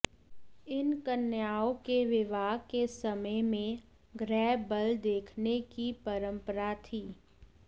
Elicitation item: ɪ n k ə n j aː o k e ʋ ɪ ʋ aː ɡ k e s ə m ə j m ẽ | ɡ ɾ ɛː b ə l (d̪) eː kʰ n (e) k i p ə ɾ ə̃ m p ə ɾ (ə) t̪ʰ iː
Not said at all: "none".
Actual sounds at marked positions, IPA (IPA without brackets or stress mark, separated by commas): d̪, e, a